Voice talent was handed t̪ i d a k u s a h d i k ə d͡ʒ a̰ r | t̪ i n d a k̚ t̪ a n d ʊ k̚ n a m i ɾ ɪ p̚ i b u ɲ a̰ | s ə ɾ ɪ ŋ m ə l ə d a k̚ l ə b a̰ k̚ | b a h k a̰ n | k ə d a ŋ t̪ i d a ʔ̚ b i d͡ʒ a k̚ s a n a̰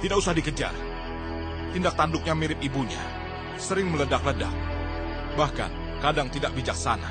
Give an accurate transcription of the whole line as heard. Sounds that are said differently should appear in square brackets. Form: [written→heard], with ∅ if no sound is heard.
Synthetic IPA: t̪ i d a k u s a h d i k ə d͡ʒ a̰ r | t̪ i n d a k̚ t̪ a n d ʊ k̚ [n→ɲ] a m i ɾ ɪ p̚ i b u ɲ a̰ | s ə ɾ ɪ ŋ m ə l ə d a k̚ l ə [b→d] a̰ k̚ | b a h k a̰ n | k [ə→a] d a ŋ t̪ i d a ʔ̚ b i d͡ʒ a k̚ s a n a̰